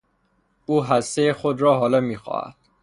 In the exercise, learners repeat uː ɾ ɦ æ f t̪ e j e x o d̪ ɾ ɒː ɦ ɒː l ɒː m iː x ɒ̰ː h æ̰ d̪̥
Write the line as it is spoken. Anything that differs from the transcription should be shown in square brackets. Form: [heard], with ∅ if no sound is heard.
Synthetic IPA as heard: uː [∅] ɦ æ [s] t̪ e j e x o d̪ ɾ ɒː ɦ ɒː l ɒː m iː x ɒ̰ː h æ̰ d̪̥